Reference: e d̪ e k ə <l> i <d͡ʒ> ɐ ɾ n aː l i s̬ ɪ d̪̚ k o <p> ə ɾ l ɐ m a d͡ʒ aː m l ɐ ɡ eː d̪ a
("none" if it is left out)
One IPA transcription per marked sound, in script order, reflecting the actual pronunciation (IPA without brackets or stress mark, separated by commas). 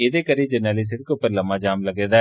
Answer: ɾ, d͡ʒ, p